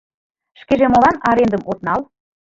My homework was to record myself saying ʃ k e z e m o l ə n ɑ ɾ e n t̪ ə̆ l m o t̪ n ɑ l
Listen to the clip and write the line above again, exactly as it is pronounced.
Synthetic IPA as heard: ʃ k e ʒ e m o l ɑ n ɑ ɾ e n d̪ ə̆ m o t̪ n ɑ l